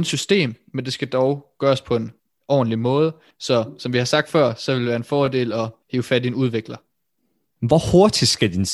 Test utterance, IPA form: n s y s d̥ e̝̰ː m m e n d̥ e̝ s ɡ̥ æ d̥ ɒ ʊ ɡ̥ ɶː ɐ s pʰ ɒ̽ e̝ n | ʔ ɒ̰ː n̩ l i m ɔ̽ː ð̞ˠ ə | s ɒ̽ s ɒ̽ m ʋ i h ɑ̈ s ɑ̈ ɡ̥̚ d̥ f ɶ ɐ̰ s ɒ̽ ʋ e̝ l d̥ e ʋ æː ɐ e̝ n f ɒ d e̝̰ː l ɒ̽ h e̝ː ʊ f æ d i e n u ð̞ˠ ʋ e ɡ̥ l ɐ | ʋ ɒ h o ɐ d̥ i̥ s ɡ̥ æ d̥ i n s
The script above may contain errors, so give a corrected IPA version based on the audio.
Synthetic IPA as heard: n s y s d̥ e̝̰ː m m e n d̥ e̝ s ɡ̥ æ d̥ ɒ ʊ ɡ̥ ɶː ɐ s pʰ ɒ̽ e̝ n | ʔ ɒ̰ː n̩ l i m ɔ̽ː ð̞ˠ ə | s ɒ̽ s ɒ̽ m ʋ i h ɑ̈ s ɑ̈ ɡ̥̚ d̥ f ɶ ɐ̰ s ɒ̽ ʋ e̝ l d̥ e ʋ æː ɐ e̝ n f ɒː d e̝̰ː l ɒ̽ h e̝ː ʊ f æ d i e n u ð̞ˠ ʋ e ɡ̥ l ɐ | ʋ ɒ h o ɐ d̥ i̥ s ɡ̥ æ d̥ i n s